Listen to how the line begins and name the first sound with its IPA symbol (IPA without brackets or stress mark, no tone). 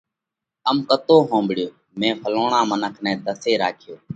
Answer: ə